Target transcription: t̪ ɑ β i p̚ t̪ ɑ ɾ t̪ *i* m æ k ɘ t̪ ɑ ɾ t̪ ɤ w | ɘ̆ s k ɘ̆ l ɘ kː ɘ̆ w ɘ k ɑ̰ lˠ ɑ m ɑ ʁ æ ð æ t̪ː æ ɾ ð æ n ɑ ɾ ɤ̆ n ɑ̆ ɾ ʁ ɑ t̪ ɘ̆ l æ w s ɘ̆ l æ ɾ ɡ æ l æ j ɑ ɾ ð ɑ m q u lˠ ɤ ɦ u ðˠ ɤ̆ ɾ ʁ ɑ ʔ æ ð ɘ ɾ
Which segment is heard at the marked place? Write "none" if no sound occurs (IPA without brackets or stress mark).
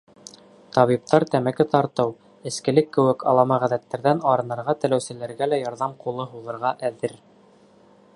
æ